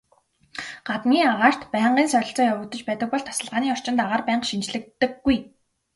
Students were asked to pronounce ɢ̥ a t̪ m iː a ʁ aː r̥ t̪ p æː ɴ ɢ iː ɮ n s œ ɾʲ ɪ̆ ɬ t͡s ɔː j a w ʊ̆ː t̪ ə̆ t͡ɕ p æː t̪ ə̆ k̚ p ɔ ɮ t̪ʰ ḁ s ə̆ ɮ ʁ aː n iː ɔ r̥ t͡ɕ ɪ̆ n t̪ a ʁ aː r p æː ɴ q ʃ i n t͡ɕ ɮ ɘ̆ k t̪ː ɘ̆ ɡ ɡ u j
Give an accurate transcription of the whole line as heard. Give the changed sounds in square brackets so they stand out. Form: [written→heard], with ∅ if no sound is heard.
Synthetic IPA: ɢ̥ a t̪ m iː a ʁ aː r̥ t̪ p æː ɴ ɢ iː [ɮ→∅] n s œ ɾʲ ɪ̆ ɬ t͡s ɔː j a w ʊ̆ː t̪ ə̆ t͡ɕ p æː t̪ ə̆ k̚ p ɔ ɮ t̪ʰ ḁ s ə̆ ɮ ʁ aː n iː ɔ r̥ t͡ɕ ɪ̆ n t̪ a ʁ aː r p æː ɴ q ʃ i n t͡ɕ ɮ ɘ̆ k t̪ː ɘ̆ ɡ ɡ u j